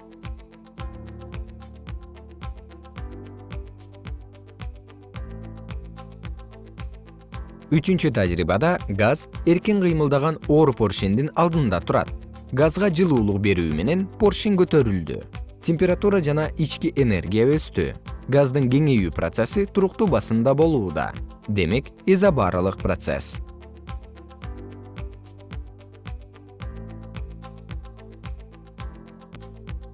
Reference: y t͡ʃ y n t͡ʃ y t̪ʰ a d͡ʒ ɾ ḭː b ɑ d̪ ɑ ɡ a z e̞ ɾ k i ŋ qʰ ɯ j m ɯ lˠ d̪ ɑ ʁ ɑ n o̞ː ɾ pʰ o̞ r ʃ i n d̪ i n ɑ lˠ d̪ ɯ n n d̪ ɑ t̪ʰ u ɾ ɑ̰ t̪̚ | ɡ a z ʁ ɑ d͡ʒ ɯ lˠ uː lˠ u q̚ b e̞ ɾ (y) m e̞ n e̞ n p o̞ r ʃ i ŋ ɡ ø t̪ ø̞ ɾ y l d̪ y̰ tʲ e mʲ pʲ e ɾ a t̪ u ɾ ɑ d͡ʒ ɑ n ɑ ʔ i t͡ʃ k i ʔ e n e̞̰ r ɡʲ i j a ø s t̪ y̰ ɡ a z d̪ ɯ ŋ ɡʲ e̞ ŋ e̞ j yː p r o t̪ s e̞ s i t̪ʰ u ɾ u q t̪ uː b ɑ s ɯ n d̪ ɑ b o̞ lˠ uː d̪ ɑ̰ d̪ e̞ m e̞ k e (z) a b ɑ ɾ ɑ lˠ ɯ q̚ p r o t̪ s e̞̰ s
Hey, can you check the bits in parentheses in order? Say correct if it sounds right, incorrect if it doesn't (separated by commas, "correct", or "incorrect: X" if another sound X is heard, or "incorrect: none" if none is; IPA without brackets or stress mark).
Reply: incorrect: yː, correct